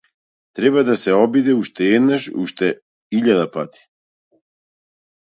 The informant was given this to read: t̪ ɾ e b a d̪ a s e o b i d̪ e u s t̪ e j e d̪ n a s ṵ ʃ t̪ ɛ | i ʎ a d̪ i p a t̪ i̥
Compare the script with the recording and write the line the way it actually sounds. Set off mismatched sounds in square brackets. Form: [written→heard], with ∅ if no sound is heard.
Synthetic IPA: t̪ ɾ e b a d̪ a s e o b i d̪ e u [s→ʃ] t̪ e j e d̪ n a [s→ʃ] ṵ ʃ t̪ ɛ | i ʎ a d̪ [i→a] p a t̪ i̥